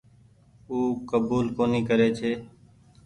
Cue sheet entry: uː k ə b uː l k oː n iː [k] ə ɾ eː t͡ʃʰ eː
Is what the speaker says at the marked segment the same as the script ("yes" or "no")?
yes